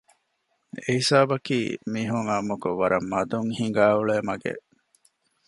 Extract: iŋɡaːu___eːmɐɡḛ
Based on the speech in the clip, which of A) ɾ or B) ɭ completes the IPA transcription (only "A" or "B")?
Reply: B